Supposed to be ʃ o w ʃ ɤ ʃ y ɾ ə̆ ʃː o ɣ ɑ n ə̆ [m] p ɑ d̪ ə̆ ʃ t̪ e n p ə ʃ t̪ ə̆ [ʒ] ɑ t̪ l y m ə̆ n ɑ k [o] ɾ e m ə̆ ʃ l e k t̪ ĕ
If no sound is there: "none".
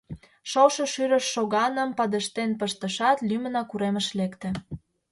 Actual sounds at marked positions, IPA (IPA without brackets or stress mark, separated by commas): m, ʃ, u